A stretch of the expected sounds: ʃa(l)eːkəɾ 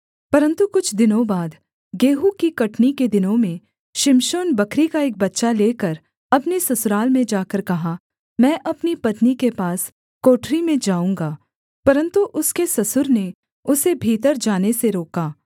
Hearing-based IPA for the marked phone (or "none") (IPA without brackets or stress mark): l